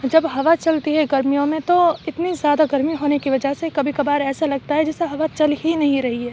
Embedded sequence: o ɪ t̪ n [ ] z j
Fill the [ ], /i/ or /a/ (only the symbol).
i